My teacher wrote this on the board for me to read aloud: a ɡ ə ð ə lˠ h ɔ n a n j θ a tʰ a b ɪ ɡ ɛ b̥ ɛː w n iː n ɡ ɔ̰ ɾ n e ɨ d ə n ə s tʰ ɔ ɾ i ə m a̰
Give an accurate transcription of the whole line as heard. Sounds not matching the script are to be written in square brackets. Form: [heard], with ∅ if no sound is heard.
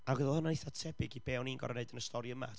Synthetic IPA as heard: a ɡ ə ð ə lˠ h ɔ n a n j θ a tʰ [ɛ] b ɪ ɡ [i] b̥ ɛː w n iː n ɡ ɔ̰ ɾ n e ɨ d ə n ə s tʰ ɔ ɾ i ə m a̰